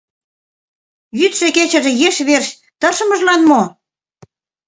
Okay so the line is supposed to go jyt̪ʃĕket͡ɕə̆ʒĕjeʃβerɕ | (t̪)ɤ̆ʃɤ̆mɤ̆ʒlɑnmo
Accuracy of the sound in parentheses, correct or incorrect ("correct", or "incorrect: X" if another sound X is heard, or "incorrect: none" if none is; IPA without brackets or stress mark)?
correct